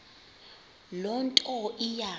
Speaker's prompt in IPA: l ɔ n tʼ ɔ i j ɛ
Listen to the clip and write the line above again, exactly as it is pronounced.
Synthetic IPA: l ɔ n tʼ ɔ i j a